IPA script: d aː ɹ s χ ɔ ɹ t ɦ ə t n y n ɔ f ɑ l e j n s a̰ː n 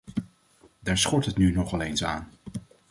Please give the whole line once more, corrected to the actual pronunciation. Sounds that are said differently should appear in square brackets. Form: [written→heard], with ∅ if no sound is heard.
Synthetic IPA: d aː ɹ s χ ɔ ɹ t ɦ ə t n y n ɔ [f→χ] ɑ l e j n s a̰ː n